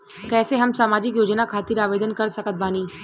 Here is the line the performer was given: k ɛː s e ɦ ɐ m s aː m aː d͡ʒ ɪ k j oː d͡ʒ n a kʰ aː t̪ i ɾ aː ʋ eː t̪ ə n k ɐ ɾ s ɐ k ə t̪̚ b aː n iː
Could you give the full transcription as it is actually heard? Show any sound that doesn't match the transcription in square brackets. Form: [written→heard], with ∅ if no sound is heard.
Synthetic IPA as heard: k ɛː s e ɦ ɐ m s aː m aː d͡ʒ ɪ k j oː d͡ʒ n a kʰ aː t̪ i ɾ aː ʋ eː [t̪→d̪] ə n k ɐ ɾ s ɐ k ə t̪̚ b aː n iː